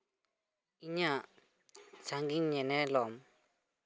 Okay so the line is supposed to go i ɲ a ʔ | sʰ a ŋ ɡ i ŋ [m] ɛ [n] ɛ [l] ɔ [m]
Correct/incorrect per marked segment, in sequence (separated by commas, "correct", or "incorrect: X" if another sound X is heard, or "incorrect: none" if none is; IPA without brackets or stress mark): incorrect: ɲ, correct, correct, correct